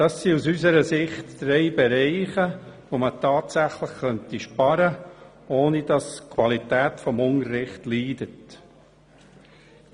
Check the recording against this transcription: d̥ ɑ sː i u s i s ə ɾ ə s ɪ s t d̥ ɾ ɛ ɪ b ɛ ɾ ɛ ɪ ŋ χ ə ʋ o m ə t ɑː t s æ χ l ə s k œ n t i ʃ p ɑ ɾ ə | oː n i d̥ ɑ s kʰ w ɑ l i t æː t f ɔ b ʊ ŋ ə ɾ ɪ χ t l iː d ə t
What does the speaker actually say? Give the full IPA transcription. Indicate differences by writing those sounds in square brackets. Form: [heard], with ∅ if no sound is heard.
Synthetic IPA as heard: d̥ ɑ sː i u s [y] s ə ɾ ə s ɪ [χ] t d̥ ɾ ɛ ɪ b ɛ ɾ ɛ ɪ [∅] χ ə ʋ o m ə t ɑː t s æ χ l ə [χ] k œ n t i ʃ p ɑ ɾ ə | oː n i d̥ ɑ s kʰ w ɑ l i t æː t f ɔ [m] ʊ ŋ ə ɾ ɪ χ t l iː d ə t

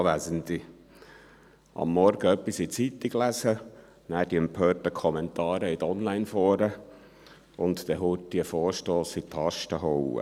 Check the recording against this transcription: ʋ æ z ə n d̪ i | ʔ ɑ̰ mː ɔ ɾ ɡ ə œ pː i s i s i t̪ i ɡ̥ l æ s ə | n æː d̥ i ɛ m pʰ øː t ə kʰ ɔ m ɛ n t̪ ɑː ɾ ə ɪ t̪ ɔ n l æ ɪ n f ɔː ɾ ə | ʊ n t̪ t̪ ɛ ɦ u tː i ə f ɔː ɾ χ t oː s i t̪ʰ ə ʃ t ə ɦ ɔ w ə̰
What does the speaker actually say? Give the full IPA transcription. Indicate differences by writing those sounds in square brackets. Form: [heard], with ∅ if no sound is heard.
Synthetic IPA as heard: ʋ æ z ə n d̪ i | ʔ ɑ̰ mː ɔ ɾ ɡ ə œ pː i s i [t͡s] i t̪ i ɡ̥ l æ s ə | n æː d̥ i ɛ m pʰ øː t ə kʰ ɔ m ɛ n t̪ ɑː ɾ ə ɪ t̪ ɔ n l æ ɪ n f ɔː ɾ ə | ʊ n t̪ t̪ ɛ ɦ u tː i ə f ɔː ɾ [ʃ] t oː s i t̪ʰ [ɑ] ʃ t ə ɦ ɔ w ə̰

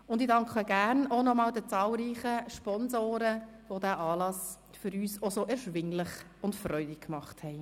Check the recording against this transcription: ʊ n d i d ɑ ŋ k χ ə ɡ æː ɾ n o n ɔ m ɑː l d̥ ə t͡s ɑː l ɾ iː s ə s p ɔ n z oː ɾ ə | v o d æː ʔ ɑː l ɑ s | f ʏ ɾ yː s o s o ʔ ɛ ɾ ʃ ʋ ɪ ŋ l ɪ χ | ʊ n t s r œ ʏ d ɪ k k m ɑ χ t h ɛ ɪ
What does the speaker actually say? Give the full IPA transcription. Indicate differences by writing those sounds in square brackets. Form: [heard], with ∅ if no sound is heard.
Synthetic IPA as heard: ʊ n d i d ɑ ŋ k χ ə ɡ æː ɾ n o n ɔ m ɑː l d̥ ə t͡s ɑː l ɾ iː [χ] ə [ʃ] p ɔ n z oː ɾ ə | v o d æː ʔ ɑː l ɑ s | f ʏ ɾ yː s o s o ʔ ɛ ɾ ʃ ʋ ɪ ŋ l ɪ χ | ʊ n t [f] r œ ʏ d ɪ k k m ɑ χ t h ɛ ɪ

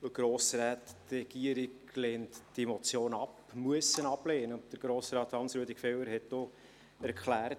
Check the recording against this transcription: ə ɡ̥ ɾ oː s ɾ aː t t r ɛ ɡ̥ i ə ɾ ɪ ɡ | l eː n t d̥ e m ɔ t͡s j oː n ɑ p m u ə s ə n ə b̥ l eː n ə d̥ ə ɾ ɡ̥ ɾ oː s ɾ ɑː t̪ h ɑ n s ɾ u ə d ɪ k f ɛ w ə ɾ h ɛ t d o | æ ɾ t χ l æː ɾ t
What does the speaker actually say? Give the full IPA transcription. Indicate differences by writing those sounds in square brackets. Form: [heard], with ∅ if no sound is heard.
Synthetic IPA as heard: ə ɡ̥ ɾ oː s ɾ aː t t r ɛ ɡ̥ i ə ɾ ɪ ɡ | l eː n t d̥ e m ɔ t͡s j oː n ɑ p m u ə s ə n [ɑ] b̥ l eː n ə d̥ ə ɾ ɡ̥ ɾ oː s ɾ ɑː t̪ h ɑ n s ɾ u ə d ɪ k f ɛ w ə ɾ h ɛ t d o | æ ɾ [k] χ l æː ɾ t

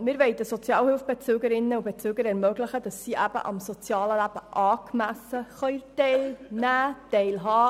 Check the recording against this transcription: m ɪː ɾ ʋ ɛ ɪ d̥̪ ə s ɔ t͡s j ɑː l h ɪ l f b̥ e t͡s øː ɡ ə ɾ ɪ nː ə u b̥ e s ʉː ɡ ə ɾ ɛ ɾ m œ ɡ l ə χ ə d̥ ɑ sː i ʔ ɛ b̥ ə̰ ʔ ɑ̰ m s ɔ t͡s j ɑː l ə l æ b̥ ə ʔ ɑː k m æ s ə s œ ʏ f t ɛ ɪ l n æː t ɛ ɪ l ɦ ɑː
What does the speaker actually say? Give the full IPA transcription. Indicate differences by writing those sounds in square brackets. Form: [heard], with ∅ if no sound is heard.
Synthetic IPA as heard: m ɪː ɾ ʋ ɛ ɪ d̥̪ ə s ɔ t͡s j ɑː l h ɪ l f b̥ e t͡s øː ɡ ə ɾ ɪ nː ə u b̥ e [t͡s] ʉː ɡ ə ɾ ɛ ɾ m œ ɡ l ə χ ə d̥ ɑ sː i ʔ [æ] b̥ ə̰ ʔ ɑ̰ m s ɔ t͡s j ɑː l ə l æ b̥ ə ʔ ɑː k m æ s ə [χ] œ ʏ [∅] t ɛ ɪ l n æː t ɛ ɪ l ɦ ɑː

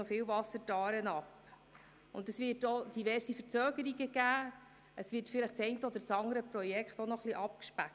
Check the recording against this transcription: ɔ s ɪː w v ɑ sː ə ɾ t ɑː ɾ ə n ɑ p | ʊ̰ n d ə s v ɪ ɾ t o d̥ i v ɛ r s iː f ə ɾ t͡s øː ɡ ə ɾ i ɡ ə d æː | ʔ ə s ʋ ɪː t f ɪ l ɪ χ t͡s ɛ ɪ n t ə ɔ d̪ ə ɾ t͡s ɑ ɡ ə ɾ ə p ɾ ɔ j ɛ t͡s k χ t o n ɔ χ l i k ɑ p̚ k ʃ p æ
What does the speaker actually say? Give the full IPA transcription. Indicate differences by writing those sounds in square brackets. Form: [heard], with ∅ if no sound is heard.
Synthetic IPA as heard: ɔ [f] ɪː w v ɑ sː ə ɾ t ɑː ɾ ə n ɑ p | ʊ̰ n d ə s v ɪ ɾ t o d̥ i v ɛ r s [i] f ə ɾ t͡s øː ɡ ə ɾ i ɡ ə [ɡ] æː | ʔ ə s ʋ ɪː t f ɪ l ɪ χ t͡s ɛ ɪ n t ə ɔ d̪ ə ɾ t͡s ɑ [ŋ] ə ɾ ə p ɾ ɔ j ɛ [∅] k χ t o n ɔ χ l i [ʔ] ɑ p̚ k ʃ p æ

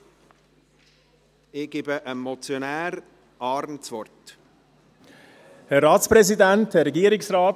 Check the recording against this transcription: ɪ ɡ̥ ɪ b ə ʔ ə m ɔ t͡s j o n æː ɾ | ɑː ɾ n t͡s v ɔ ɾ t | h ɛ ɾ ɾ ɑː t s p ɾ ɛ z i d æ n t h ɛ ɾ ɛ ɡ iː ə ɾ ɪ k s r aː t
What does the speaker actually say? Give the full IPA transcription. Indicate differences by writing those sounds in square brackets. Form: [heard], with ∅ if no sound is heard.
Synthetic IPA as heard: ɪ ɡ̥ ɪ b ə ʔ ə m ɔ t͡s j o n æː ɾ | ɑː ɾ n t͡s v ɔ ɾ t | h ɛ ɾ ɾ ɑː t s p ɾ ɛ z i d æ n t h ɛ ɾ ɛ ɡ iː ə ɾ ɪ k s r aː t

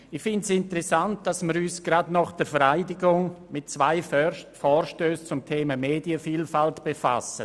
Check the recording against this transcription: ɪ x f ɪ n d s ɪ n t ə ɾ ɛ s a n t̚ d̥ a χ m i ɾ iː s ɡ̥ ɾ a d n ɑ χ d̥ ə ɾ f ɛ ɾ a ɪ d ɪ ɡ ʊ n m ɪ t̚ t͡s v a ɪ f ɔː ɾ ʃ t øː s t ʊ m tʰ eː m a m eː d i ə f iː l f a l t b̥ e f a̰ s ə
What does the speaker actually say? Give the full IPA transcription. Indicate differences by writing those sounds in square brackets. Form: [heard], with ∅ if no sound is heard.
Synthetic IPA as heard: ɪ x f ɪ n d s ɪ n t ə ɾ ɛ s a n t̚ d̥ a [s] m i ɾ [yː] s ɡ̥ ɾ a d n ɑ χ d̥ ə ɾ f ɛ ɾ a ɪ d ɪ ɡ ʊ [ŋ] m ɪ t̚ t͡s v a ɪ f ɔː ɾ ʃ t øː s [t͡s] ʊ m tʰ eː m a m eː d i ə f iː l f a l t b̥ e f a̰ s ə

